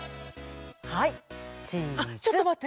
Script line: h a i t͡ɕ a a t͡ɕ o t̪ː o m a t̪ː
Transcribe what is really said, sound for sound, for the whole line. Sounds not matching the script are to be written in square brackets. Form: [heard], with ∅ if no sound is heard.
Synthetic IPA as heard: h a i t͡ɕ [i] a t͡ɕ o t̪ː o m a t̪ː